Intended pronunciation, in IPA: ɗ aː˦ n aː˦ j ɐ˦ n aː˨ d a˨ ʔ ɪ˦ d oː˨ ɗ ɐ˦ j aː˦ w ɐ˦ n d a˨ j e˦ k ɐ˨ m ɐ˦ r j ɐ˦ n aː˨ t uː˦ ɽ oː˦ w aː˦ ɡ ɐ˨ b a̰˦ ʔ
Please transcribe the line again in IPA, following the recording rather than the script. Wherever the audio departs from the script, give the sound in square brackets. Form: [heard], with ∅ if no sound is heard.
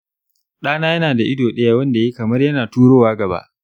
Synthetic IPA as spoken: ɗ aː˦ n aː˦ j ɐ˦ n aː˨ d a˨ ʔ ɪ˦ d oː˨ ɗ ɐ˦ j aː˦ w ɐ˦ n d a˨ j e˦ k ɐ˨ m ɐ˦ r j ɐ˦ n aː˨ t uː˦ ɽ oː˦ w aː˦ ɡ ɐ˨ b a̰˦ ʔ

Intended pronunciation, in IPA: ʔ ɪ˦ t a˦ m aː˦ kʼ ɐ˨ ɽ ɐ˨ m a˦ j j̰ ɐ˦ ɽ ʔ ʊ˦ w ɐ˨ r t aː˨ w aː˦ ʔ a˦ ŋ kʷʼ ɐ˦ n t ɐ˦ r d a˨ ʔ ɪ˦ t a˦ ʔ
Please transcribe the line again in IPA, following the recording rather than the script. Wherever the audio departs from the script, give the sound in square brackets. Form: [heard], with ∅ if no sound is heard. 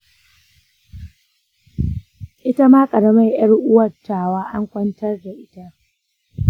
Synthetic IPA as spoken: ʔ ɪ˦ t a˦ m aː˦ kʼ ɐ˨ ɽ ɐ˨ m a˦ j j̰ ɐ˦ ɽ ʔ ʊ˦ w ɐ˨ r t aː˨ w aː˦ ʔ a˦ ŋ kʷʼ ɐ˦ n t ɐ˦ r d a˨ ʔ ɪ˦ t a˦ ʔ

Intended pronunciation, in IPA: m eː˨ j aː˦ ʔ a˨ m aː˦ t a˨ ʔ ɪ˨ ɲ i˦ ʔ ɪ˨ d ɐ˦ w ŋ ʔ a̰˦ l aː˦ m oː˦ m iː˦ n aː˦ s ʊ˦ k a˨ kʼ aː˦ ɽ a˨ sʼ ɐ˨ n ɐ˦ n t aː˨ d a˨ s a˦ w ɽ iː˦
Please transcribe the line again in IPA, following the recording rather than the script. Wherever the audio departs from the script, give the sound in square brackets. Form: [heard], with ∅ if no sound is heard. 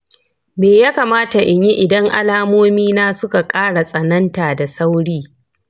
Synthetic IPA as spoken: m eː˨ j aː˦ [k] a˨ m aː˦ t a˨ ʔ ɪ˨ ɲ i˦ ʔ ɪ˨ d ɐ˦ [∅] ŋ ʔ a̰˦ l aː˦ m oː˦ m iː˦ n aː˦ s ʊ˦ k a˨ kʼ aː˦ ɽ a˨ sʼ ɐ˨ n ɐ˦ n t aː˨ d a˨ s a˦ w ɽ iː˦

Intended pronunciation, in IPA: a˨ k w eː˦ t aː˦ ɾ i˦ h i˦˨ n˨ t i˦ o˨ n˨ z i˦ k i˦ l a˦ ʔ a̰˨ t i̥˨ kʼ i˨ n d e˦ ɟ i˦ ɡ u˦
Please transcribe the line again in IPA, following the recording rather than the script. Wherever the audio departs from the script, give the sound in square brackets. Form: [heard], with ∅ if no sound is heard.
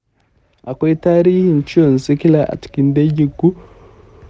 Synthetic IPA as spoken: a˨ k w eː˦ t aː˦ ɾ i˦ h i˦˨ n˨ [t͡ʃ] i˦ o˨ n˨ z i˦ k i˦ l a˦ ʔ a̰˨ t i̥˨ [k] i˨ n d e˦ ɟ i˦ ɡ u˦

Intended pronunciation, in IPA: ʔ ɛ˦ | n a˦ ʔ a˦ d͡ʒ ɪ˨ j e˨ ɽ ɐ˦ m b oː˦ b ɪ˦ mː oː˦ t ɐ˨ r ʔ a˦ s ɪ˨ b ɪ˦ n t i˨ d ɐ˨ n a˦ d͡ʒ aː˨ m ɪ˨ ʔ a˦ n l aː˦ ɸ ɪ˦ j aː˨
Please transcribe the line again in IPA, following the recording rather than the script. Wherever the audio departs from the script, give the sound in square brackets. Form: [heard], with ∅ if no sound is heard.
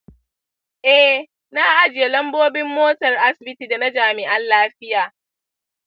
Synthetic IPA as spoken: ʔ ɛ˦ | n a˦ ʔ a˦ d͡ʒ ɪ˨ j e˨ [l] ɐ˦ m b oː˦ b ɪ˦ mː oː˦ t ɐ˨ r ʔ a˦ s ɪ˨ b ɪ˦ [∅] t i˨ d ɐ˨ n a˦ d͡ʒ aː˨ m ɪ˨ ʔ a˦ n l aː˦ ɸ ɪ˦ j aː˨

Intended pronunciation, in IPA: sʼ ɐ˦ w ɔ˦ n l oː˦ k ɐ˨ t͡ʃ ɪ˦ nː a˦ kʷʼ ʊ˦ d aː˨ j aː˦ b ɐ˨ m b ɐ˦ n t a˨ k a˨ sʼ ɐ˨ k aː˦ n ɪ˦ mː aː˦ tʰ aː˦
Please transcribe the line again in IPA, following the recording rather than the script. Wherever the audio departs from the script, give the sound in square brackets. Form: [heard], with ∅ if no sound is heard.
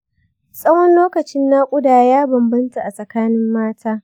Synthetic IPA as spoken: sʼ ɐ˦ w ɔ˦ n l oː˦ k ɐ˨ t͡ʃ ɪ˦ nː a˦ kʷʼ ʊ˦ d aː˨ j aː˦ b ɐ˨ m b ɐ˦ n t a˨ [ʔ] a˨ sʼ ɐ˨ k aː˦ n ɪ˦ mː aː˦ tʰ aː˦

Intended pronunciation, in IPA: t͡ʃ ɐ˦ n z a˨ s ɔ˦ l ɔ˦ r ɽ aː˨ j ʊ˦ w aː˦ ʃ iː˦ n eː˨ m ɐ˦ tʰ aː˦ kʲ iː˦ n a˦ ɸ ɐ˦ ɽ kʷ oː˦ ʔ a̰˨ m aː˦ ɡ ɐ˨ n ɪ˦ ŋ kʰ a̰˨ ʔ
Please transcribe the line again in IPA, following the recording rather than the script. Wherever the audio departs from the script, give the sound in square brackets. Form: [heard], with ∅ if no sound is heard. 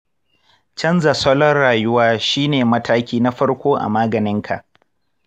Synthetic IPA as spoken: t͡ʃ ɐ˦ n z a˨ s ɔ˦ l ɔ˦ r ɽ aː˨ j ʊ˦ w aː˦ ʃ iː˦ n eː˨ m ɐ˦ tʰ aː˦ kʲ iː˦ n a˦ ɸ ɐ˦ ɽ kʷ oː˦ ʔ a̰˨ m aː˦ ɡ ɐ˨ n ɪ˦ ŋ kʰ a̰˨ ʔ

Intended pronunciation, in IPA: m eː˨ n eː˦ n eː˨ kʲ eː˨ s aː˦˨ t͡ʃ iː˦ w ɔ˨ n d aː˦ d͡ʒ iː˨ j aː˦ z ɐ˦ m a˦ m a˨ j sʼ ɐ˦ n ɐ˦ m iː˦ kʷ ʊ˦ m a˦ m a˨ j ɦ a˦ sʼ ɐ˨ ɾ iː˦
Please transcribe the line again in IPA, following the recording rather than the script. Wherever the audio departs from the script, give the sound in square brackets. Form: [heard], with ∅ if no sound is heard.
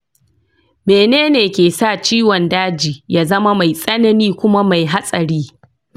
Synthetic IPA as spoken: m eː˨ n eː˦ n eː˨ kʲ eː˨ s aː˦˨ t͡ʃ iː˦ w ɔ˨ n d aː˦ d͡ʒ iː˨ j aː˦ z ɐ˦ m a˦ m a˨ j sʼ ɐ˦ n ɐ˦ [n] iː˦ kʷ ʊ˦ m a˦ m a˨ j ɦ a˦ sʼ ɐ˨ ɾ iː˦

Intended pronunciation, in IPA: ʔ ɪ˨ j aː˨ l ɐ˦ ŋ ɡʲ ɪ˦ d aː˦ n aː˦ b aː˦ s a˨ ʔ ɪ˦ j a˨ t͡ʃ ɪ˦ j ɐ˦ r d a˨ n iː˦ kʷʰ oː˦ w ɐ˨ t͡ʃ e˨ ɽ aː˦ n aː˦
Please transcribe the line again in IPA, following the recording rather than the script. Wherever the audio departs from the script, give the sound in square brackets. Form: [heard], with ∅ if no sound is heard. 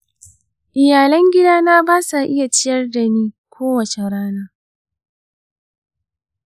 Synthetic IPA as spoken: ʔ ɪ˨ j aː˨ l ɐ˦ ŋ ɡʲ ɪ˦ d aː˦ n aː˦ b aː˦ s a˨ ʔ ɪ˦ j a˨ t͡ʃ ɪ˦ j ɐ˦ r d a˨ n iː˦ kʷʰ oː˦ w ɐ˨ t͡ʃ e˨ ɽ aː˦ n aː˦

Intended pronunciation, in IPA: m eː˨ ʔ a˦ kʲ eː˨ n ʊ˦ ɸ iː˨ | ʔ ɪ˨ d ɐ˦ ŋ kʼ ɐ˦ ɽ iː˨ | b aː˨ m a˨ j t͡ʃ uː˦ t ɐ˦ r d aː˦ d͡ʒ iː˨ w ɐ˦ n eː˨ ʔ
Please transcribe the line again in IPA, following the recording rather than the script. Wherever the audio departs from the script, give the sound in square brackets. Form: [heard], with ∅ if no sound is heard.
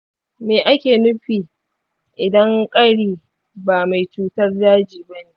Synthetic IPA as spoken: m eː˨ ʔ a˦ kʲ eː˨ n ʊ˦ ɸ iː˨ | ʔ ɪ˨ d ɐ˦ ŋ kʼ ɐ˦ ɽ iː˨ | b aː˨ m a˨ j t͡ʃ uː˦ t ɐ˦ r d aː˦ d͡ʒ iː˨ [b] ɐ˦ n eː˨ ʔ

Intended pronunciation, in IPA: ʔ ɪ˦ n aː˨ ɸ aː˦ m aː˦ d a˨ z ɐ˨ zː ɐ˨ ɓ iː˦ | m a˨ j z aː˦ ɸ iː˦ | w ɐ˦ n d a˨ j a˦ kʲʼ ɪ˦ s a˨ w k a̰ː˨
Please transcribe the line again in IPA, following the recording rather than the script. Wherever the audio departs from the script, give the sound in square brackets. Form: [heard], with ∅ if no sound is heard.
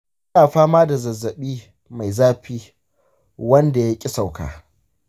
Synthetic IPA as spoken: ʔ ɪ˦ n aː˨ ɸ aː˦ m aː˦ d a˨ z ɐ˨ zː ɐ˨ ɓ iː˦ | m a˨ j z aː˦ ɸ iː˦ | w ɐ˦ n d a˨ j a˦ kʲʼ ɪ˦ s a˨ w k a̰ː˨

